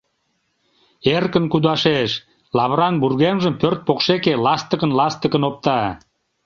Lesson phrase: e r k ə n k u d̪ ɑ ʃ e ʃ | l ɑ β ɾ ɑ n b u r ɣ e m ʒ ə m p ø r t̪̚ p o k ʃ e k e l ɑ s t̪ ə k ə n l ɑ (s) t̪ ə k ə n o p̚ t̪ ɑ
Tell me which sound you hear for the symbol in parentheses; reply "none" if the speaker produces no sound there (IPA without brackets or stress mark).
s